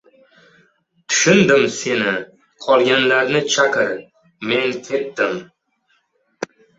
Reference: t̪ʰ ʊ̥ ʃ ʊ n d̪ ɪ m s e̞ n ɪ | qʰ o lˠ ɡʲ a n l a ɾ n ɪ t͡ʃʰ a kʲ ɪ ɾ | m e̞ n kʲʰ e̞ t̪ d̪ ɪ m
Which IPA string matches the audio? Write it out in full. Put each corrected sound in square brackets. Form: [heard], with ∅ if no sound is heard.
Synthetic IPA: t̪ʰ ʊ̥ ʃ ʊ n d̪ ɪ m s e̞ n ɪ | qʰ [ɒ] lˠ ɡʲ a n l a ɾ n ɪ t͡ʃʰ a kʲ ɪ ɾ | m e̞ n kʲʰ e̞ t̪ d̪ ɪ m